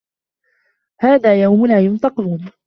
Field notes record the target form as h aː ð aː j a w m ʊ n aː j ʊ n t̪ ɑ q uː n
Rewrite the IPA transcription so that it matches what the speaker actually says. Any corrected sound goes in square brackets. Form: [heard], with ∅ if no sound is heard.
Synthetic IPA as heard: h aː ð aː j a w m ʊ n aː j ʊ n t̪ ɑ q uː n